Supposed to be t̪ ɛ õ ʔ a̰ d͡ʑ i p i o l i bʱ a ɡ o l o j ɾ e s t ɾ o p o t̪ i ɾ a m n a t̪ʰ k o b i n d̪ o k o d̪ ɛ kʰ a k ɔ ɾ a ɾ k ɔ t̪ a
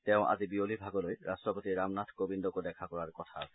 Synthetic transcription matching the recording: t̪ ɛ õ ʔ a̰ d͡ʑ i b i o l i bʱ a ɡ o l o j ɾ a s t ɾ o p o t̪ i ɾ a m n a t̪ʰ k o b i n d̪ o k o d̪ ɛ kʰ a k ɔ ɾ a ɾ k ɔ t̪ʰ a